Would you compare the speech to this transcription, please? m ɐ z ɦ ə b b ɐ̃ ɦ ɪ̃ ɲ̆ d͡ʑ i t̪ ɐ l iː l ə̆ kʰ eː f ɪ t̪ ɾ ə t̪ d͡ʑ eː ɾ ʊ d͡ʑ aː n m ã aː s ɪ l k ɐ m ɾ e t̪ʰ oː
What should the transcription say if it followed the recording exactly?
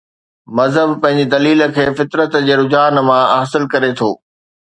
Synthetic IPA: m ɐ z ɦ ə b p ɐ̃ ɦ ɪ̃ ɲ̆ d͡ʑ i d̪ ɐ l iː l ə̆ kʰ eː f ɪ t̪ ɾ ə t̪ d͡ʑ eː ɾ ʊ d͡ʑ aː n m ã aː s ɪ l k ɐ ɾ e t̪ʰ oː